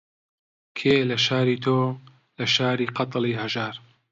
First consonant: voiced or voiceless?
voiceless